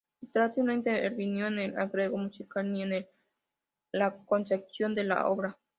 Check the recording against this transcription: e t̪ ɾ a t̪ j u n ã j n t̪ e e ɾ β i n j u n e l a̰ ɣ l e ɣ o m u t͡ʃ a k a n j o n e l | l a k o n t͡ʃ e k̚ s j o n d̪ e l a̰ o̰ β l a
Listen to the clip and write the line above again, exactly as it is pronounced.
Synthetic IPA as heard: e t̪ ɾ a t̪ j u n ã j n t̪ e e ɾ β i n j o n e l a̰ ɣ ɾ e ɣ o m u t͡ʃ i k a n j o n e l | l a k o n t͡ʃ e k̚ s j o n d̪ e l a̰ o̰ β ɾ a

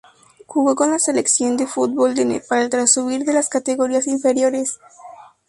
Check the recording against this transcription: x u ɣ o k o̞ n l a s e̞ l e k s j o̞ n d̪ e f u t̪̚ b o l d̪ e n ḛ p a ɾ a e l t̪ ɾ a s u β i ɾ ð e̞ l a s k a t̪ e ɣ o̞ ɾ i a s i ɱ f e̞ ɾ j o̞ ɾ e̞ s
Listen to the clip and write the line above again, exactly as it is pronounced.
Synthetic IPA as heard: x u ɣ o k o̞ n l a s e̞ l e k s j o̞ n d̪ e f u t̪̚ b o l d̪ e n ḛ p a ɾ a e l t̪ ɾ a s u β i ɾ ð e̞ l a s k a t̪ e ɣ o̞ ɾ i a s i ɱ f e̞ ɾ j o̞ ɾ e̞ s

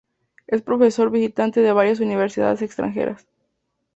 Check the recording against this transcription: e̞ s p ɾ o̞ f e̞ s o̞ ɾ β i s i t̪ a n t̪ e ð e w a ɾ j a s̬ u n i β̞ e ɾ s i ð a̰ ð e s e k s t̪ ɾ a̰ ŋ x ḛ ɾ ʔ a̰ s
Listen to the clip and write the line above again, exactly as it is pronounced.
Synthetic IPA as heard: e̞ s p ɾ o̞ f e̞ s o̞ ɾ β i s i t̪ a n t̪ e ð e β a ɾ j a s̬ u n i β̞ e ɾ s i ð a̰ ð e s e k s t̪ ɾ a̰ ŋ x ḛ ɾ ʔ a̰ s

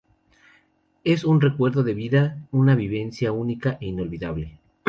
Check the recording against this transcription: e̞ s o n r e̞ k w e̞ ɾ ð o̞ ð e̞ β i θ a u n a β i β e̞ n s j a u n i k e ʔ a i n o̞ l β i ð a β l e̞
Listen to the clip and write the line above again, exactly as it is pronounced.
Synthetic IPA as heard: e̞ s u n r e̞ k w e̞ ɾ ð o̞ ð e̞ β i ð a u n a β i β e̞ n s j a u n i k a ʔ e i n o̞ l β i ð a β l e̞

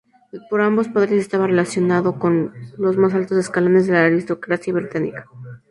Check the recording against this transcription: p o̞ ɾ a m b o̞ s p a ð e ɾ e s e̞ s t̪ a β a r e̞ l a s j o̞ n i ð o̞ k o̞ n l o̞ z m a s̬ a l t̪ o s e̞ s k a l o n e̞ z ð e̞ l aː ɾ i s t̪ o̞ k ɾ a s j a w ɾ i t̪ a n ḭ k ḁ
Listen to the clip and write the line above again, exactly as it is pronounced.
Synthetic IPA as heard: p o̞ ɾ a m b o̞ s p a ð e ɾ e s e̞ s t̪ a β a r e̞ l a s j o̞ n a ð o̞ k o̞ n l o̞ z m a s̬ a l t̪ o s e̞ s k a l o n e̞ z ð e̞ l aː ɾ i s t̪ o̞ k ɾ a s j a β ɾ i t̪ a n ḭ k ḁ

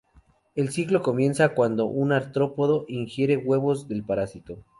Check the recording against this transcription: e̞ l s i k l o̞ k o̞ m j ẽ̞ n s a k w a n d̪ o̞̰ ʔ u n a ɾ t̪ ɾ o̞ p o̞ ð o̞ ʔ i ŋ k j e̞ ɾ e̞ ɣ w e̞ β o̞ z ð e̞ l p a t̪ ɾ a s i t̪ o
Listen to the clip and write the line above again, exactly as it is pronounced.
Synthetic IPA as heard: e̞ l s i k l o̞ k o̞ m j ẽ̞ n s a k w a n d̪ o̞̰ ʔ u n a ɾ t̪ ɾ o̞ p o̞ ð o̞ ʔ i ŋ x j e̞ ɾ e̞ ɣ w e̞ β o̞ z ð e̞ l p a ɾ a s i t̪ o

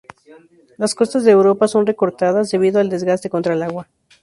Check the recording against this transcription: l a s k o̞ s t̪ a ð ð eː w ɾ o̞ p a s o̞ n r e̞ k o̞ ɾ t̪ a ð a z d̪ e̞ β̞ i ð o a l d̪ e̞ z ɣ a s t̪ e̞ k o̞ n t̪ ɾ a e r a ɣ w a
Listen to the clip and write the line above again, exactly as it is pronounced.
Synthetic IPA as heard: l a s k o̞ s t̪ a z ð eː w ɾ o̞ p a s o̞ n r e̞ k o̞ ɾ t̪ a ð a z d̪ e̞ β̞ i ð o a l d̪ e̞ z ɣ a s t̪ e̞ k o̞ n t̪ ɾ a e l a ɣ w a

